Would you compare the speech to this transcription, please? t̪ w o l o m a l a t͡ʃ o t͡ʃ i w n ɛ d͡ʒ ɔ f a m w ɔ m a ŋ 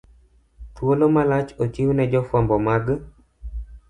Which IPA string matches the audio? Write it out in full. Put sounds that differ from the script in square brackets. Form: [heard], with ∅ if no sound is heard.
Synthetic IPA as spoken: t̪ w o l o m a l a t͡ʃ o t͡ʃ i w n ɛ d͡ʒ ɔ f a m [b] ɔ m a [ɡ]